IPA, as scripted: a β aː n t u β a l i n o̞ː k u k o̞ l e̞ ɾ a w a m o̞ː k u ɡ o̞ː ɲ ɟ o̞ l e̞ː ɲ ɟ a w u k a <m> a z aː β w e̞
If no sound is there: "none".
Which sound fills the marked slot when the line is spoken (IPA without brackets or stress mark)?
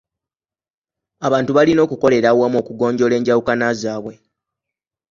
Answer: n